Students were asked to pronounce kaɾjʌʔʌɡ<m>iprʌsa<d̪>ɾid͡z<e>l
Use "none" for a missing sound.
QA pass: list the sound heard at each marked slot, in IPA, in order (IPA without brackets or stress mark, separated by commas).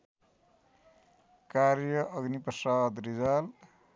n, d̪, a